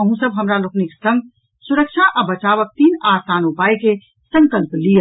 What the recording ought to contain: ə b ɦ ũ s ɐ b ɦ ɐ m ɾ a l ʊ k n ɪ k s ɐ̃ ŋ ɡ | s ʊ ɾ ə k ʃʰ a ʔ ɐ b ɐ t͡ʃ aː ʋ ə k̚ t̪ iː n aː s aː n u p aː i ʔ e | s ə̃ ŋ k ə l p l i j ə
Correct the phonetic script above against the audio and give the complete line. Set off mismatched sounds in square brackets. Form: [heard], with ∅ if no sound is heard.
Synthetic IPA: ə [∅] ɦ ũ s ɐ b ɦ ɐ m ɾ a l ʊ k n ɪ k s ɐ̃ ŋ ɡ | s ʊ ɾ ə k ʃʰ a ʔ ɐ b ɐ t͡ʃ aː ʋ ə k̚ t̪ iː n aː s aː n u p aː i [k] e | s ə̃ ŋ k ə l p l i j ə